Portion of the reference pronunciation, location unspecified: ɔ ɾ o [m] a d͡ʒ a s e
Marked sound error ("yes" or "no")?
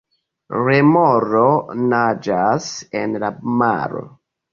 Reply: yes